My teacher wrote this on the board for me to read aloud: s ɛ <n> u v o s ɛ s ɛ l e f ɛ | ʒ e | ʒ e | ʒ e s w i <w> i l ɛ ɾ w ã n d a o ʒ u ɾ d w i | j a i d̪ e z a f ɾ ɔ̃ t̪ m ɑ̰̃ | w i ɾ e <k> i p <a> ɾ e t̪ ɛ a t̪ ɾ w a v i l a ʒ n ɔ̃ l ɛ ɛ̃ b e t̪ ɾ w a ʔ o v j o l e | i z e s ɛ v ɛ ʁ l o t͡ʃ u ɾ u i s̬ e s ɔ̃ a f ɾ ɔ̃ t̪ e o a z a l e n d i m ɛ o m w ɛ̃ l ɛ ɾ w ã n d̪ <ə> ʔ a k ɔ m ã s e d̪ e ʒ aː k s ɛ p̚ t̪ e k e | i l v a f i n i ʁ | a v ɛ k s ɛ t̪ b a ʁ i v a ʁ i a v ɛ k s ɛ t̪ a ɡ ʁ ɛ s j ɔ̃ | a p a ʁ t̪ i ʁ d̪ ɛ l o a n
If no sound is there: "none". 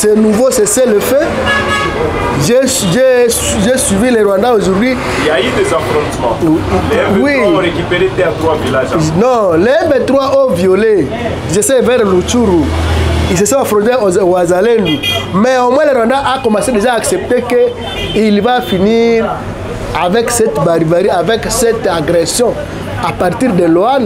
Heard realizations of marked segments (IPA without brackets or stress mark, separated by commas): n, v, k, e, a